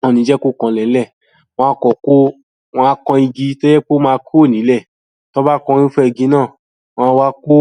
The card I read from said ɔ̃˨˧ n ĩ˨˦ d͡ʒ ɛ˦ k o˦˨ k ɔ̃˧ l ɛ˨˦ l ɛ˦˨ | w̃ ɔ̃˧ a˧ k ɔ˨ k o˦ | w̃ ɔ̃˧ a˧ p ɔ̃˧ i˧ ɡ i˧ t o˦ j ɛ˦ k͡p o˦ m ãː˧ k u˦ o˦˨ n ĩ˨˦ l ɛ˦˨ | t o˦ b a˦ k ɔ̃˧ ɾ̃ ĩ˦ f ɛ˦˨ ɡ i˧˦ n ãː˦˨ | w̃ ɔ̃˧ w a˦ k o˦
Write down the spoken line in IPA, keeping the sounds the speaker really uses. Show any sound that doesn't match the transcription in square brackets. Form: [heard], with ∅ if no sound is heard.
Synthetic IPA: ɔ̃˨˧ n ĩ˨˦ d͡ʒ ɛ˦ k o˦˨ k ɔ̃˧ l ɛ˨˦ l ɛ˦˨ | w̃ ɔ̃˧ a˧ k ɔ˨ k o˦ | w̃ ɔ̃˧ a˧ [k] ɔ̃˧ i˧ ɡ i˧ t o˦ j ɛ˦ k͡p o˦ m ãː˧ k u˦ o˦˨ n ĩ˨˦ l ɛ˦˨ | t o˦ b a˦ k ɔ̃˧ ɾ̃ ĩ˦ f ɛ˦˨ ɡ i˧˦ n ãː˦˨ | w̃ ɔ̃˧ w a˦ k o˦